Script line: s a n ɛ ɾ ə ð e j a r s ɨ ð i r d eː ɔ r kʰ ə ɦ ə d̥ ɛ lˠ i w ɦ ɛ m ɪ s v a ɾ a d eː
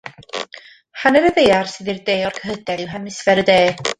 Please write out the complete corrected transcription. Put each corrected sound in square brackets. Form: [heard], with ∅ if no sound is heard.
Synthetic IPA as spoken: [h] a n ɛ ɾ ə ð e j a r s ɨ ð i r d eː ɔ r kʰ ə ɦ ə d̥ ɛ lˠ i w ɦ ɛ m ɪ s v [ɛ] ɾ [ə] d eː